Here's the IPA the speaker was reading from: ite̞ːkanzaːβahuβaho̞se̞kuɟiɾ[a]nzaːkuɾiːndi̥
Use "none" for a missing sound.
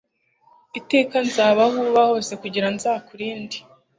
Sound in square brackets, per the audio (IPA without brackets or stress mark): a